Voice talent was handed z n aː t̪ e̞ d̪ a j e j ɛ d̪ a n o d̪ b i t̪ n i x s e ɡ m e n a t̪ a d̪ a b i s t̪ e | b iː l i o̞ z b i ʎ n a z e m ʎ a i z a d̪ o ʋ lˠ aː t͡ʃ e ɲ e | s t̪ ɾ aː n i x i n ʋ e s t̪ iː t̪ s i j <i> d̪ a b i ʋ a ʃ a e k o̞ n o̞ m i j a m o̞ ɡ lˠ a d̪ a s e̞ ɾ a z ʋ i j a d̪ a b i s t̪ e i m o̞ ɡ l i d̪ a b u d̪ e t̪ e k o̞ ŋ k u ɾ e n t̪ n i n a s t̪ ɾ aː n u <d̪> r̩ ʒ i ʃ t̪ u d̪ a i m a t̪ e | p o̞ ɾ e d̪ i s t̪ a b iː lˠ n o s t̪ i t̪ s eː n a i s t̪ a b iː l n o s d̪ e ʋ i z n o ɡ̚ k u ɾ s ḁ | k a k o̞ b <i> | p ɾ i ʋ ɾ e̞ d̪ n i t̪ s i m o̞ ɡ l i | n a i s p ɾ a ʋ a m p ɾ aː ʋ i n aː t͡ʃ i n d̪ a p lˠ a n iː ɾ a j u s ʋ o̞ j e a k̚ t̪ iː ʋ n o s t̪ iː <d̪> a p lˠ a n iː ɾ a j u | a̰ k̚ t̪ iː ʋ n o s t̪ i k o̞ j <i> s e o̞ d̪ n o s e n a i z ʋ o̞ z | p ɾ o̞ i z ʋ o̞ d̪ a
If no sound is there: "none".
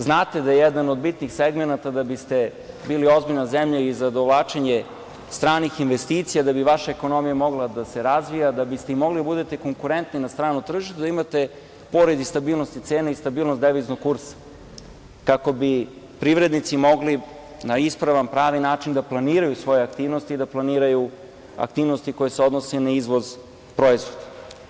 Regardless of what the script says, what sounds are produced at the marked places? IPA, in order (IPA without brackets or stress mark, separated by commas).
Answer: a, t̪, i, d̪, e